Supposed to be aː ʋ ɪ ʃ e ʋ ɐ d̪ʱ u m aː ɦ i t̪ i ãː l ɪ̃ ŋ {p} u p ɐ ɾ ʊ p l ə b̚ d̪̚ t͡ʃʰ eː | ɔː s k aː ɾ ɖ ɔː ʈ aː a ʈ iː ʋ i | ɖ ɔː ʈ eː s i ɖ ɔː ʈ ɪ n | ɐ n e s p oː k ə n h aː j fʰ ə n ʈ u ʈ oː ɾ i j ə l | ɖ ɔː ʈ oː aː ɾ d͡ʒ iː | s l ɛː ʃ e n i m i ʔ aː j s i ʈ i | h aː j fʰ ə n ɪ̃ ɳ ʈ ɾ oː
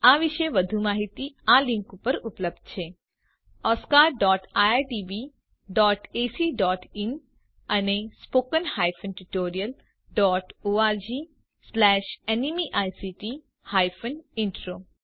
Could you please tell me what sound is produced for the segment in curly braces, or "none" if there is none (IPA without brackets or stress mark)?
k